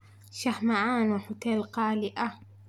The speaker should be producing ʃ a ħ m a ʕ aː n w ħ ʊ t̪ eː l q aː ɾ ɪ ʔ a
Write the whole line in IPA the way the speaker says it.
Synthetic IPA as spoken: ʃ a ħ m a ʕ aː n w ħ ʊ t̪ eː l q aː l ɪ ʔ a